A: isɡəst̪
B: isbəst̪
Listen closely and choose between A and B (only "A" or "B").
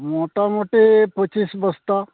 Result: B